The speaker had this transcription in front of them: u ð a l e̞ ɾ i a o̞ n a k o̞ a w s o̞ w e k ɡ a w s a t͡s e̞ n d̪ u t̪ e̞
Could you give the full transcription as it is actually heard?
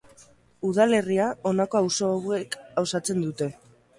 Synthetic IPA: u ð a l e̞ r i a o̞ n a k o̞ a w s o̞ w e k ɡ a w s a t͡s e̞ n d̪ u t̪ e̞